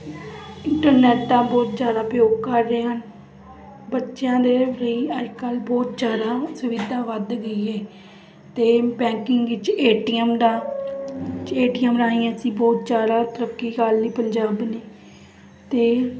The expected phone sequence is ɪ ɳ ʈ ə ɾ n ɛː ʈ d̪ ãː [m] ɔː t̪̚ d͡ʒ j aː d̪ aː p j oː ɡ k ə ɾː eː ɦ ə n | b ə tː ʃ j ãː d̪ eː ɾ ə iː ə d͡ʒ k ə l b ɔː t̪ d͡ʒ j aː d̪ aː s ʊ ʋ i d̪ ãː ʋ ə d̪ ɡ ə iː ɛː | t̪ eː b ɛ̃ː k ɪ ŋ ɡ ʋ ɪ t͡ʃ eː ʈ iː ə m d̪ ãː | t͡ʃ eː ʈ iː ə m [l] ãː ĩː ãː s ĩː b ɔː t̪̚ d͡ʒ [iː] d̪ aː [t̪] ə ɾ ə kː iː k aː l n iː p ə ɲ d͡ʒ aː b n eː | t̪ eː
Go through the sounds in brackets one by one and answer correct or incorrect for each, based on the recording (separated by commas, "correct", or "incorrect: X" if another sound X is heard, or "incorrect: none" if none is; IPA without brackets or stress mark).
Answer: incorrect: b, incorrect: ɾ, incorrect: aː, correct